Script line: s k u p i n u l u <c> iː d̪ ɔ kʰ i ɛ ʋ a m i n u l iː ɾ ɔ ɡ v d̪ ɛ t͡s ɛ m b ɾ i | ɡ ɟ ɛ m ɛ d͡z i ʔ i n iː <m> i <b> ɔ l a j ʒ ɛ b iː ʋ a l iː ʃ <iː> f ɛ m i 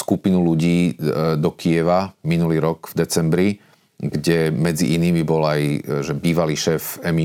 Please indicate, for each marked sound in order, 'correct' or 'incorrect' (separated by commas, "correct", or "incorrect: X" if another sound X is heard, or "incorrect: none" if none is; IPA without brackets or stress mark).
incorrect: ɟ, correct, correct, incorrect: ɛː